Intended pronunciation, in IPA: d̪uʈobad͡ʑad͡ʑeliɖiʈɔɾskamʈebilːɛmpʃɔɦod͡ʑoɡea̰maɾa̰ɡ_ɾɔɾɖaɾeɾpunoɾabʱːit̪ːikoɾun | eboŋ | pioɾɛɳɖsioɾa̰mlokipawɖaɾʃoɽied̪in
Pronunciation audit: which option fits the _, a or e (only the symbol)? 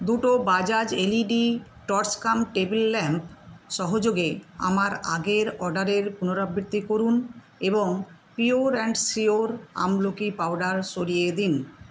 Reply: e